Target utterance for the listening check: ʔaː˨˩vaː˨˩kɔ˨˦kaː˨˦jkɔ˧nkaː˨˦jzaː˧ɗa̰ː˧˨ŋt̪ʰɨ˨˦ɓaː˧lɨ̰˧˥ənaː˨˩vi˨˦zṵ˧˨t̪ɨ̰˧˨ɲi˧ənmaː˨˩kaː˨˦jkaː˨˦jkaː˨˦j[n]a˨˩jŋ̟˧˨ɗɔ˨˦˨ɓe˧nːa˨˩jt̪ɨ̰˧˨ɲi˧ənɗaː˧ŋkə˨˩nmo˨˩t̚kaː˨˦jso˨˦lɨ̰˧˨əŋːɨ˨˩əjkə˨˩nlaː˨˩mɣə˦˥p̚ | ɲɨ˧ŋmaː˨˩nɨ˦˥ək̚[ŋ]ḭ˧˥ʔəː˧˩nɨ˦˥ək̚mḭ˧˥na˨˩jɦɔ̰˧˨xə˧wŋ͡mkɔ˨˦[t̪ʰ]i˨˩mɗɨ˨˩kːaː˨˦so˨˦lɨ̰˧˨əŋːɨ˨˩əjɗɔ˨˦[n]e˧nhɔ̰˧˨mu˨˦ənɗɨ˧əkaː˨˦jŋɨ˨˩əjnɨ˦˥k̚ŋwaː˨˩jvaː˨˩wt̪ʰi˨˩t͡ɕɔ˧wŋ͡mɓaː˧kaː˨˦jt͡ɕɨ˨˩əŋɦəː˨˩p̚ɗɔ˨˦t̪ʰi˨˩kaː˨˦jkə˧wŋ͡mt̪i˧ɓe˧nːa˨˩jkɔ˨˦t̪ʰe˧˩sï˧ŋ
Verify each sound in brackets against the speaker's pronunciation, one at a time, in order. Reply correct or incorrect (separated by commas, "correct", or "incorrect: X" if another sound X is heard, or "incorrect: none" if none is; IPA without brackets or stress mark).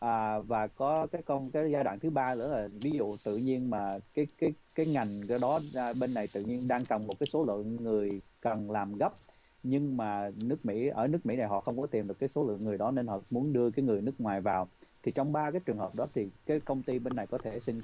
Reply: incorrect: ŋ, incorrect: m, incorrect: t̪, correct